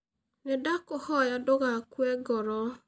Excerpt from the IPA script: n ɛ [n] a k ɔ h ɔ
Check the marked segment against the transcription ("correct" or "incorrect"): incorrect